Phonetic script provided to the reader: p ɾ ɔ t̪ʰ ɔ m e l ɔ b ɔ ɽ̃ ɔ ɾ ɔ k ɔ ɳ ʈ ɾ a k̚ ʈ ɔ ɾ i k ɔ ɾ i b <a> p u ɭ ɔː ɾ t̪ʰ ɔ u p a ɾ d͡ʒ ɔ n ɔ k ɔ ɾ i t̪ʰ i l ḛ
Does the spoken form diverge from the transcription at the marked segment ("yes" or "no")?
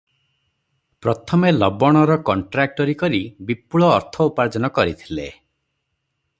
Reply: yes